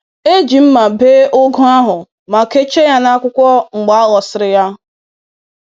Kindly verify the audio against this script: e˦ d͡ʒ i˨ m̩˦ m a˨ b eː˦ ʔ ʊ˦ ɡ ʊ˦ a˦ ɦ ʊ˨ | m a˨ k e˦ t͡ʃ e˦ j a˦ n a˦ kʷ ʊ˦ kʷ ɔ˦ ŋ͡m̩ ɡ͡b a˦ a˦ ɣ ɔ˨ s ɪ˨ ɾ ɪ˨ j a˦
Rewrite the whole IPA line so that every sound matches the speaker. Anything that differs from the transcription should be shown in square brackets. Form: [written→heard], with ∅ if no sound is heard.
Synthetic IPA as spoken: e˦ d͡ʒ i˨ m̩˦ m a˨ b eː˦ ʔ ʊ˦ ɡ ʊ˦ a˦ ɦ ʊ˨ | m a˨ k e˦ t͡ʃ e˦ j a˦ n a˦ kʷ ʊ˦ kʷ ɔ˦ ŋ͡m̩ ɡ͡b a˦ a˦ ɣ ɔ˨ s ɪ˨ ɾ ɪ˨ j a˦